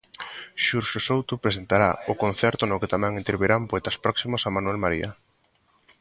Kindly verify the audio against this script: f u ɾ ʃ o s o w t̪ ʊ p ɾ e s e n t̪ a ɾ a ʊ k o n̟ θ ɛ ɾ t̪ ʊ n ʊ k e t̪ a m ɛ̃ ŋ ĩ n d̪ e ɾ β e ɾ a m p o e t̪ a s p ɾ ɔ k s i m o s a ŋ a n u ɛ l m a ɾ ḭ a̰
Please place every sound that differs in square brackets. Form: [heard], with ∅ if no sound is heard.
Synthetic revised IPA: [ʃ] u ɾ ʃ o s o w t̪ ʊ p ɾ e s e n t̪ a ɾ a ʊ k o n̟ θ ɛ ɾ t̪ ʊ n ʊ k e t̪ a m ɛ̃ ŋ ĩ n [t̪] e ɾ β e ɾ a m p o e t̪ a s p ɾ ɔ k s i m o s a [m] a n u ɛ l m a ɾ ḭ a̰